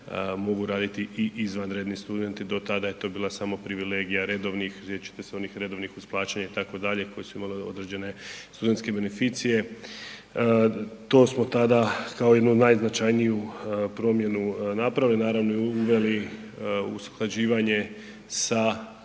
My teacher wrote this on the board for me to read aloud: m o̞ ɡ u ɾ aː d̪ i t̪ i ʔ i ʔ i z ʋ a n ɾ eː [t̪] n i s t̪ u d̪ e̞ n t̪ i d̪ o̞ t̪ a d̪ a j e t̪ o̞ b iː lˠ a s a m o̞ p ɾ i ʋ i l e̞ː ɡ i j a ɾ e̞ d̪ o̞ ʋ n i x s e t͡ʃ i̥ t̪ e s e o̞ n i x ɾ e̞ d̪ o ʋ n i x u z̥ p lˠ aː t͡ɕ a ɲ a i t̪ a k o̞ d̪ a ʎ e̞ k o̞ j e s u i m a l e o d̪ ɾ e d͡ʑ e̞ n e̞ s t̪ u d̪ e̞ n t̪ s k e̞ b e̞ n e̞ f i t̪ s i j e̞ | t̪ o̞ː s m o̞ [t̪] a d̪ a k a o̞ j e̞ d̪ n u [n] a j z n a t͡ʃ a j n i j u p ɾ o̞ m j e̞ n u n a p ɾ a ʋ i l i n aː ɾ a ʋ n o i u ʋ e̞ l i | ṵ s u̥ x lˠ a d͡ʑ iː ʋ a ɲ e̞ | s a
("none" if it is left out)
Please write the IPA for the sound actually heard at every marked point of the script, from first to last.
d̪, t̪, n

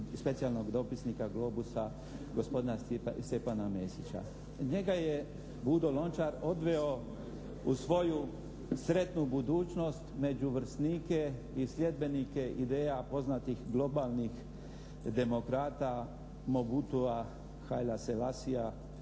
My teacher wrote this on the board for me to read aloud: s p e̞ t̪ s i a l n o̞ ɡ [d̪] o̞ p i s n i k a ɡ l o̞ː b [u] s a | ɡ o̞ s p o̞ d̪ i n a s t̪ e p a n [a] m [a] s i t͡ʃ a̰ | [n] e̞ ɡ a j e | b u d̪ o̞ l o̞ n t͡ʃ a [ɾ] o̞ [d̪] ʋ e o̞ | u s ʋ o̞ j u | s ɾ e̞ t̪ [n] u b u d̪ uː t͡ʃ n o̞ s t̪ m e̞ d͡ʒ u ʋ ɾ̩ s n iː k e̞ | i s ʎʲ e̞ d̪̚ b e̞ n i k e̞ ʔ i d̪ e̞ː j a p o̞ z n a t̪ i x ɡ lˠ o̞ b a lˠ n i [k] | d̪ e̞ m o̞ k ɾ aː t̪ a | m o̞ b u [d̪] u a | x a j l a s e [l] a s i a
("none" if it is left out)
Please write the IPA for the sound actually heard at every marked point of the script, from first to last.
d̪, u, a, e, ɲ, ɾ, d̪, n, x, t̪, l

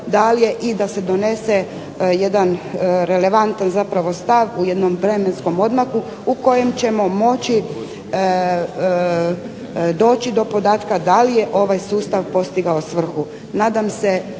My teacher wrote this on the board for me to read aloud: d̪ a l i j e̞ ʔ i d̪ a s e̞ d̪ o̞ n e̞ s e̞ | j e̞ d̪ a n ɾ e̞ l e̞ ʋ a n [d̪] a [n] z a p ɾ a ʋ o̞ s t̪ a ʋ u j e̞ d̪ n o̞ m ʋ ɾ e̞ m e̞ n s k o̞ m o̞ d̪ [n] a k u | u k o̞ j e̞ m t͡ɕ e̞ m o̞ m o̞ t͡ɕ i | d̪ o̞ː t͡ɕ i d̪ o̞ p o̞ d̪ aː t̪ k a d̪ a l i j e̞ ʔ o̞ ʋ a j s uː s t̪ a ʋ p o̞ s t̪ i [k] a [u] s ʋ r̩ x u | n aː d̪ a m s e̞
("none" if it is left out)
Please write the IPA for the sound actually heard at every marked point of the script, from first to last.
t̪, n, m, ɡ, o

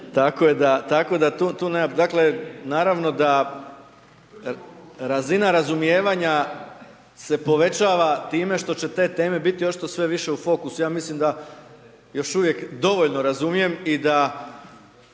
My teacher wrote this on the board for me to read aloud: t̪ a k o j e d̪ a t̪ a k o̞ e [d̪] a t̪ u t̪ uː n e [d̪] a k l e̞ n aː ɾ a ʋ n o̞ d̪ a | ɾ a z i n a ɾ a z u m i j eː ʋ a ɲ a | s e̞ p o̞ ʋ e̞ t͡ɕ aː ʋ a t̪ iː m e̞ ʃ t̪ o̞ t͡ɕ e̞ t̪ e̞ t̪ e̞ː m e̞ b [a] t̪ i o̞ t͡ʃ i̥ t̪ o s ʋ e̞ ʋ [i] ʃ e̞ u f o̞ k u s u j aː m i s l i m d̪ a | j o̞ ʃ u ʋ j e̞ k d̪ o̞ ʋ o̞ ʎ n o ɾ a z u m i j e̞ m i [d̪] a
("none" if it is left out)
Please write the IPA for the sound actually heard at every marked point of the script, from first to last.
d̪, d̪, i, i, d̪

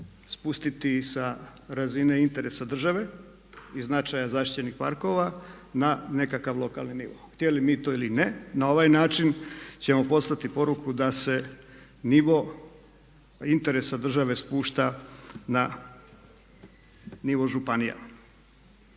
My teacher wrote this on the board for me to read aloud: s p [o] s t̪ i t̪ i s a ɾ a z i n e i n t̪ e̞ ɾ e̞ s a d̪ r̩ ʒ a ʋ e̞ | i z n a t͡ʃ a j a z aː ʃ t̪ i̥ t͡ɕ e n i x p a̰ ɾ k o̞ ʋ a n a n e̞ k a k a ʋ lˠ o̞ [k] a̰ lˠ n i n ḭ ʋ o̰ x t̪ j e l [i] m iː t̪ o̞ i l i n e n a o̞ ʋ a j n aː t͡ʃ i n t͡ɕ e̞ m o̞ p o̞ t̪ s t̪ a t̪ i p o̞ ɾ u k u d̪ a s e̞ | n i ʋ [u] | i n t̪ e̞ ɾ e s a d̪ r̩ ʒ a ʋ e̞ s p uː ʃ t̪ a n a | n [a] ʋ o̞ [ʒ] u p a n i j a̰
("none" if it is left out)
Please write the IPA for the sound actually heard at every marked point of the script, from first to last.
u, k, i, o, i, ʒ

